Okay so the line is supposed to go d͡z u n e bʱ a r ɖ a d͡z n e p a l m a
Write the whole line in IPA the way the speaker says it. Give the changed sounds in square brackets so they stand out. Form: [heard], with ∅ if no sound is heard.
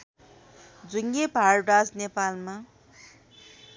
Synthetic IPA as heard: d͡z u [ŋ] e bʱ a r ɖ a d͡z n e p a l m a